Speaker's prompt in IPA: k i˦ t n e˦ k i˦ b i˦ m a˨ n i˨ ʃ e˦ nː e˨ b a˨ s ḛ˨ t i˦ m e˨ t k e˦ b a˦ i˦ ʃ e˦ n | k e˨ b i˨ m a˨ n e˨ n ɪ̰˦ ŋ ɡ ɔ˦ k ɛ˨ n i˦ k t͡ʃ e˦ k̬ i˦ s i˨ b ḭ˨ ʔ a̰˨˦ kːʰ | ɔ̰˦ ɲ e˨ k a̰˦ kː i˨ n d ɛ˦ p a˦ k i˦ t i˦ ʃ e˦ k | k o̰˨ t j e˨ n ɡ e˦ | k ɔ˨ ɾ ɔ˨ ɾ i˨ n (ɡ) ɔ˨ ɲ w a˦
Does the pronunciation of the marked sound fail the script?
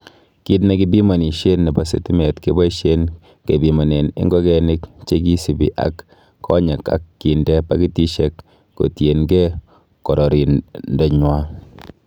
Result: yes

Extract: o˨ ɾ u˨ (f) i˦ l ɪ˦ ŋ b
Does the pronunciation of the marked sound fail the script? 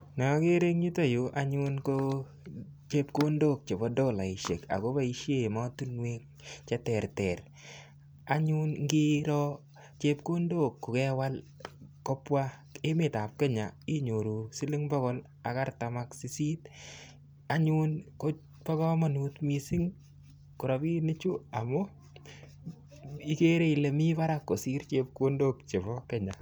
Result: yes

